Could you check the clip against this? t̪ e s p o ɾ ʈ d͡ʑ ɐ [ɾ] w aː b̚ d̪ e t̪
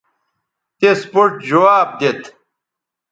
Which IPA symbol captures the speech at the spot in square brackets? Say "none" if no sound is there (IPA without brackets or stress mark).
none